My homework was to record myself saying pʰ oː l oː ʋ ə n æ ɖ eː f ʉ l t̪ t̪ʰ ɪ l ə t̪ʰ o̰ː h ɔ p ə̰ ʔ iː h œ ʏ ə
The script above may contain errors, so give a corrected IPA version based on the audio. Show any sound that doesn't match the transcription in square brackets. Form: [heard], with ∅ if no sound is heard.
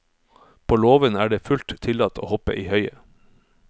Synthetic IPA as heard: pʰ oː l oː ʋ ə n [æː] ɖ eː f ʉ l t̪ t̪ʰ ɪ l [ɑ] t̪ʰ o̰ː h ɔ p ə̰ ʔ iː h œ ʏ ə